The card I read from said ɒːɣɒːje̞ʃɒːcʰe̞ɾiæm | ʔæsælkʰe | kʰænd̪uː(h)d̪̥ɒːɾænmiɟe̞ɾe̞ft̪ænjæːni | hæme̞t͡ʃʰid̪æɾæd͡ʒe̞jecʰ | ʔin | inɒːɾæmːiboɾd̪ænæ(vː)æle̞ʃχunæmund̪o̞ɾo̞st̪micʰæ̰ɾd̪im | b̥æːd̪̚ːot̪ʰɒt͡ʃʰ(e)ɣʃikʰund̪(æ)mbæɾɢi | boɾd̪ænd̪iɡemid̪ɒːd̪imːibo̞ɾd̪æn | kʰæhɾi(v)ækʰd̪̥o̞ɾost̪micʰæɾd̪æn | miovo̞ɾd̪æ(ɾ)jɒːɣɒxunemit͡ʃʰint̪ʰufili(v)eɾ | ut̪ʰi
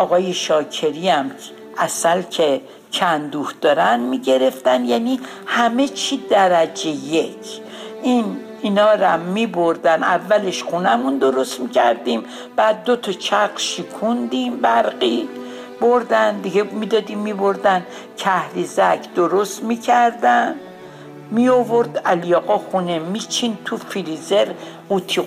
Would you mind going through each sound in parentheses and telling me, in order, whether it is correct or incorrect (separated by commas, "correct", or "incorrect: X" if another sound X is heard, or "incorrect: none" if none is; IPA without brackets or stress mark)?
correct, correct, incorrect: æ, incorrect: i, incorrect: z, incorrect: l, incorrect: z